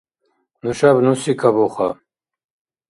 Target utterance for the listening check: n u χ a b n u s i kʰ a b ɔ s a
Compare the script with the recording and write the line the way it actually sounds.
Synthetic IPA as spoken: n u ʃ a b n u s i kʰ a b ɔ χ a